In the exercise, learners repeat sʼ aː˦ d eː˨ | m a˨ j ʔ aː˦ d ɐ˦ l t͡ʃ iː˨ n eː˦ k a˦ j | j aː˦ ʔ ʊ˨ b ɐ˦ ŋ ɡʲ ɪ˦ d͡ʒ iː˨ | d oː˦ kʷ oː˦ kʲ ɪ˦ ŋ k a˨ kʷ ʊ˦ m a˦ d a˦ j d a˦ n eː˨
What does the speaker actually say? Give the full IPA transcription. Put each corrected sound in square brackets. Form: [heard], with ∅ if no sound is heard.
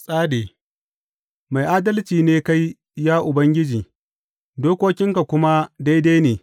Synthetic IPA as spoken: sʼ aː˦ d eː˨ | m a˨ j ʔ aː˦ d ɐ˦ l t͡ʃ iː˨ n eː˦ k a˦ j | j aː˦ ʔ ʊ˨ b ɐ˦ ŋ ɡʲ ɪ˦ d͡ʒ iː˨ | d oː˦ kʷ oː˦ kʲ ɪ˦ ŋ k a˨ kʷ ʊ˦ m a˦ d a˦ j d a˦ n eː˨